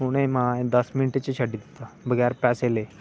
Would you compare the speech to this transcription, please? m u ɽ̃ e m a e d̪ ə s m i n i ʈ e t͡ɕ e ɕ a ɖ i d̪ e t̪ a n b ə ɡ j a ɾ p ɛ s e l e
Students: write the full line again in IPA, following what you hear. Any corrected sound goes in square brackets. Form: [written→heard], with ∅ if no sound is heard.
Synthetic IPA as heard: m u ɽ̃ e m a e d̪ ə s m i n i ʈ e t͡ɕ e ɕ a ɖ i d̪ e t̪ a [n→∅] b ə ɡ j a ɾ p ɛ s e l e

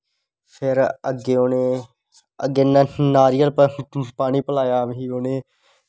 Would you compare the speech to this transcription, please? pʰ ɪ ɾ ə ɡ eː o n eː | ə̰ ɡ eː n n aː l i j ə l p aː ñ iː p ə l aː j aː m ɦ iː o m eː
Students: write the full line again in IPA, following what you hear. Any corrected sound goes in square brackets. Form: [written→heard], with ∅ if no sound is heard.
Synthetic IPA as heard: pʰ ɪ ɾ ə ɡ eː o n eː | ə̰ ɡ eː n n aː [l→ɾ] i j ə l p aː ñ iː p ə l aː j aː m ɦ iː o [m→n] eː

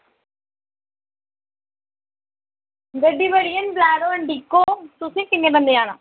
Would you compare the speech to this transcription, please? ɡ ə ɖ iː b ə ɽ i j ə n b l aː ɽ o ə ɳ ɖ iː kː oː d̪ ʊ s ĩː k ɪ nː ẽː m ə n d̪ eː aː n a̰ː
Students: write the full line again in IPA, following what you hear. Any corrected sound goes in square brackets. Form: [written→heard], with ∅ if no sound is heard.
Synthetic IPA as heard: ɡ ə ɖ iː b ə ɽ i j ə n b l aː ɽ o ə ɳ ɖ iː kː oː [d̪→t̪] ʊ s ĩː k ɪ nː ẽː [m→b] ə n d̪ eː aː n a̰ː

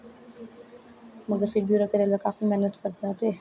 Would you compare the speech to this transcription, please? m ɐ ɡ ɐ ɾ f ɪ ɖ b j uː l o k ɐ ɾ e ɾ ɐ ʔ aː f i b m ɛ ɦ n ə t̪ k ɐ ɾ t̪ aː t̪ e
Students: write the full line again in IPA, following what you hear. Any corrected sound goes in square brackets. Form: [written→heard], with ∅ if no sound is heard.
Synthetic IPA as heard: m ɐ ɡ [ɐ→ə] ɾ f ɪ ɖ b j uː [l→ɾ] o k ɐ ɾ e [ɾ→l] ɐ [ʔ→k] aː f i [b→∅] m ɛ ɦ n ə t̪ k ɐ ɾ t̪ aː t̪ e

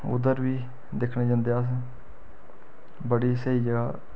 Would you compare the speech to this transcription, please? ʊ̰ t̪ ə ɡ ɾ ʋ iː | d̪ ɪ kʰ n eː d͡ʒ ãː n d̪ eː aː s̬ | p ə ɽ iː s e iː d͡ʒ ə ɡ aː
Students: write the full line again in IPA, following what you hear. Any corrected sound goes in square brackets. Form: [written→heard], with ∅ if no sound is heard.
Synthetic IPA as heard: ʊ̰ [t̪→d̪] ə [ɡ→∅] ɾ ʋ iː | d̪ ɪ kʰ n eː d͡ʒ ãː n d̪ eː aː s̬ | [p→b] ə ɽ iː s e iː d͡ʒ ə ɡ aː

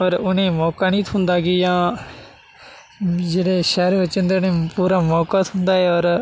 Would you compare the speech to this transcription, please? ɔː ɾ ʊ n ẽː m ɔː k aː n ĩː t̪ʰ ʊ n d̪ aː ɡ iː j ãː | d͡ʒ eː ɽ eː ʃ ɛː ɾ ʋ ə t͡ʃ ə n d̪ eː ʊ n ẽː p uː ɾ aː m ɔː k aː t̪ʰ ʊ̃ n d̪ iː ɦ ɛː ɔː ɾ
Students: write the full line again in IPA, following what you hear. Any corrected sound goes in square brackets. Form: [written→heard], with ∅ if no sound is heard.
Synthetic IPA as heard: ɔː ɾ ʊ n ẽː m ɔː k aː n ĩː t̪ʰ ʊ n d̪ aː ɡ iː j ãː | d͡ʒ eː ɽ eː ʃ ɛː ɾ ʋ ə t͡ʃ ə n d̪ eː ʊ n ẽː p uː ɾ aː m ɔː k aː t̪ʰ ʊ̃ n d̪ [iː→aː] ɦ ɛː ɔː ɾ

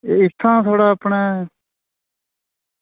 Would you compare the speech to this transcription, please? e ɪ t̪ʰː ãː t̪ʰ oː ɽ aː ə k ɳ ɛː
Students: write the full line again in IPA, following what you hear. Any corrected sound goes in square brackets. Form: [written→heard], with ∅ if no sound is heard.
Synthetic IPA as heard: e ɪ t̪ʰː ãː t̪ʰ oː ɽ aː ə [k→p] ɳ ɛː

